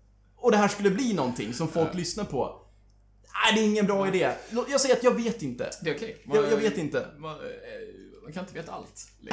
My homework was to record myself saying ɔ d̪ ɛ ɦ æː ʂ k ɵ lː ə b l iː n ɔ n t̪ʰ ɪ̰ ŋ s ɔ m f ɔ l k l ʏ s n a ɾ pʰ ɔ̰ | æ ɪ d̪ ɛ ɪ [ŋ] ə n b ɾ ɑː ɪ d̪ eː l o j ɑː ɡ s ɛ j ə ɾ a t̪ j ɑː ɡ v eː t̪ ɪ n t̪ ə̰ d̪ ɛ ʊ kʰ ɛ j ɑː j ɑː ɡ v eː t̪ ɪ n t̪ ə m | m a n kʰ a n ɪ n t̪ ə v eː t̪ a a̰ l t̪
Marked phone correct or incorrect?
incorrect